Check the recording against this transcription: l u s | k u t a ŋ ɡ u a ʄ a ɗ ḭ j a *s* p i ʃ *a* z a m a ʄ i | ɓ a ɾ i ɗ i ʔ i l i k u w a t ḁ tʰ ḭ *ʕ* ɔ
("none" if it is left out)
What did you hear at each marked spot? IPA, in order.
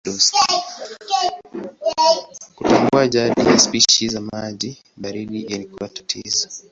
s, i, z

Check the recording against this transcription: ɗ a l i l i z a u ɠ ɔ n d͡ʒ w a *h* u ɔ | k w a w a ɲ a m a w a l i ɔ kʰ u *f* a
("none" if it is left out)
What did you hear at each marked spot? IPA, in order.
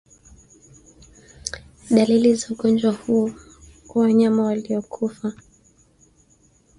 h, f

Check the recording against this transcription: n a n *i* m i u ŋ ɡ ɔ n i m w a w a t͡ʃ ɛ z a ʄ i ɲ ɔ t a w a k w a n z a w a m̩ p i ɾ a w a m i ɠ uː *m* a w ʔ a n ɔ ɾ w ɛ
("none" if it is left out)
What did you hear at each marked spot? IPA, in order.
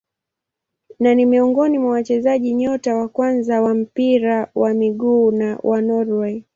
i, n

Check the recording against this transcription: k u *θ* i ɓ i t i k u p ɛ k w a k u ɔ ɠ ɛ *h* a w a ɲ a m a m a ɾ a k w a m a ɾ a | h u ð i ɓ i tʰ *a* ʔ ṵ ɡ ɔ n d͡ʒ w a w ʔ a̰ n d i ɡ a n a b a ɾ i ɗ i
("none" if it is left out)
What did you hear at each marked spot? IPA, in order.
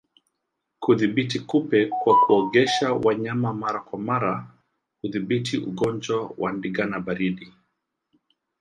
ð, ʃ, i

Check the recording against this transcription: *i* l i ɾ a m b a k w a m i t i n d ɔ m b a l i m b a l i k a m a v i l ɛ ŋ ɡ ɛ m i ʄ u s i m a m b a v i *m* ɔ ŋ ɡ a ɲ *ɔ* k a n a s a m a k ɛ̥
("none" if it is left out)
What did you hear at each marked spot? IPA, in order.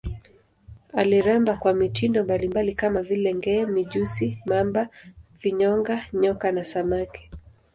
a, ɲ, ɔ

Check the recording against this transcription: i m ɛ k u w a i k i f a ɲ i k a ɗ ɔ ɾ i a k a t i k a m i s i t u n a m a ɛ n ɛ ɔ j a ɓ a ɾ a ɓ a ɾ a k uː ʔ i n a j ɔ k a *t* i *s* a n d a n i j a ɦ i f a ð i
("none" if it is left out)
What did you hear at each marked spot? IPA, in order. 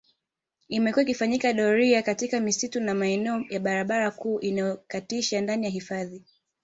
t, ʃ

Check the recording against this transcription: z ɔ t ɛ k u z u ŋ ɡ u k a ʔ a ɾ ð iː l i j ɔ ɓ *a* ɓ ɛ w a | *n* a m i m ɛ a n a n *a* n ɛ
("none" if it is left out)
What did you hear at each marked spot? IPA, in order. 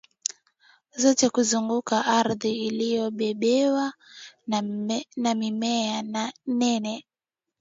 ɛ, n, ɛ

